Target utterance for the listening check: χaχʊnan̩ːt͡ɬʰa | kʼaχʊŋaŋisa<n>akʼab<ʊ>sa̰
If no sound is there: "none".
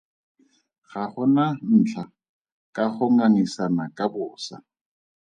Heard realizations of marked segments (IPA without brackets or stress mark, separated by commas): n, ʊː